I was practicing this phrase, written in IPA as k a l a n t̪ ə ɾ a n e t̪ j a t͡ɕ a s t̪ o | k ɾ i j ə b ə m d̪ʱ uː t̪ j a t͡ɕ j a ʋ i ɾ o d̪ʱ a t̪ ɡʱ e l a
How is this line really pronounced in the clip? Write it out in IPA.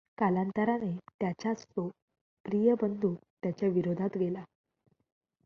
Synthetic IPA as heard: k a l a n t̪ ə ɾ a n e t̪ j a t͡ɕ a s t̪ o | p ɾ i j ə b ə n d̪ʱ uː t̪ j a t͡ɕ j a ʋ i ɾ o d̪ʱ a t̪ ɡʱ e l a